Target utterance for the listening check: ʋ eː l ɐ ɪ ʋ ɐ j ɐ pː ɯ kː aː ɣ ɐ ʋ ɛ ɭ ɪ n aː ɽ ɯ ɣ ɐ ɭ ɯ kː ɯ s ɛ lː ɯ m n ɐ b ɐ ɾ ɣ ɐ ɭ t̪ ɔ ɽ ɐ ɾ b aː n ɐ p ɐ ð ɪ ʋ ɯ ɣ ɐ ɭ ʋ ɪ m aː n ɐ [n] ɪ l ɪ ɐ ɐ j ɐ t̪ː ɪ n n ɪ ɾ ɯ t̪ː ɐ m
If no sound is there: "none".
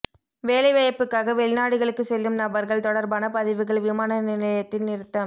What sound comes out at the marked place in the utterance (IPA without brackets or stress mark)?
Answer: n